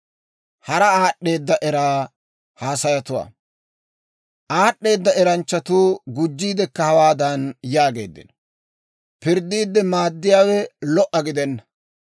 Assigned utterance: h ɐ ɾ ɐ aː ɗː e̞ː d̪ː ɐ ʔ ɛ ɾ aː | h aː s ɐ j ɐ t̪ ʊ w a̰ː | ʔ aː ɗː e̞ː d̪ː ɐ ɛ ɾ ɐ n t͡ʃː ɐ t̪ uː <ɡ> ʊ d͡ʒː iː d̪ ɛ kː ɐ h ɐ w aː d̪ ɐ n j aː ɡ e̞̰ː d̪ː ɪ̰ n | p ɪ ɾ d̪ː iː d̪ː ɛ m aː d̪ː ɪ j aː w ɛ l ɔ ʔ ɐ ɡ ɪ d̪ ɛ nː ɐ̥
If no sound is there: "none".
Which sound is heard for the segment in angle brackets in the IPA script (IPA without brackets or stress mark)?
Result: ɡ